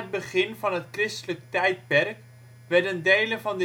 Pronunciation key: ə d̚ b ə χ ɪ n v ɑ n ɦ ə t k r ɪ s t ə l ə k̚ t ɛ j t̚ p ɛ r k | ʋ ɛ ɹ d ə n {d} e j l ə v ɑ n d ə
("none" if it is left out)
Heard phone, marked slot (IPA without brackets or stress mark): d